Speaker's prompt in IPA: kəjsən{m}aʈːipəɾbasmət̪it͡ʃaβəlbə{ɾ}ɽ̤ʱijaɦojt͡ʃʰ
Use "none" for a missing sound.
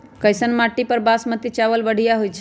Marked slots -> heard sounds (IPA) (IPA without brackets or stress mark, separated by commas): m, none